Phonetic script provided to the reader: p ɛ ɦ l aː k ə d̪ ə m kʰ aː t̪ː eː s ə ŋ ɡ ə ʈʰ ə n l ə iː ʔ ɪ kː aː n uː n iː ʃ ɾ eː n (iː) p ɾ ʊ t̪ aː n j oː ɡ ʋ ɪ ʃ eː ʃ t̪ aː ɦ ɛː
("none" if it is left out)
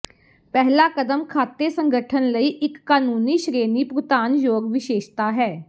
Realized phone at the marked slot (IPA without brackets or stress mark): iː